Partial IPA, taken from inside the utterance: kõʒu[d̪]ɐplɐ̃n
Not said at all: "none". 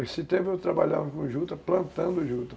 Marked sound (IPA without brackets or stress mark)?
t̪